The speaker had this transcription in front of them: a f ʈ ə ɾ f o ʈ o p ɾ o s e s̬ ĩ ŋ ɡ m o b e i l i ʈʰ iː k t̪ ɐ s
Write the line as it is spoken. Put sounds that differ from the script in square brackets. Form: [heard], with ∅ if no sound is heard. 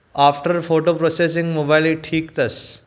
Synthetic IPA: a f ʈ ə ɾ f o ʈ o p ɾ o s e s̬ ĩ ŋ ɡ m o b [a] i l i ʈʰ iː k t̪ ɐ s